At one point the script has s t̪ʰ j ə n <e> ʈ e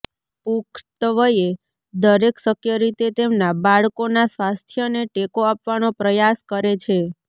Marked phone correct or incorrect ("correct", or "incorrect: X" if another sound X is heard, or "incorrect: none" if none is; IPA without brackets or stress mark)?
correct